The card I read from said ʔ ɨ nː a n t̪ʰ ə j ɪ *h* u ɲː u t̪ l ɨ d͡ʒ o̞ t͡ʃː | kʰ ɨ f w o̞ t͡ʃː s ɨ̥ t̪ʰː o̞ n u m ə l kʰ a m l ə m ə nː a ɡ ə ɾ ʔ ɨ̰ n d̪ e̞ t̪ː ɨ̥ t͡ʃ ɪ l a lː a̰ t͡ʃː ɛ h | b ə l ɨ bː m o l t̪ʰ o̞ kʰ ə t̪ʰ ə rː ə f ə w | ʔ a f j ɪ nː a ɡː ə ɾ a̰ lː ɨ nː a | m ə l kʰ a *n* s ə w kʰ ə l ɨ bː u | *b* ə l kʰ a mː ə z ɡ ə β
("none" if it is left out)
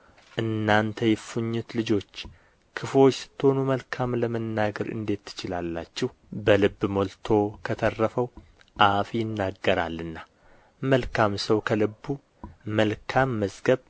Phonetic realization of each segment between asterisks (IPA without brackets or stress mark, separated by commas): f, m, m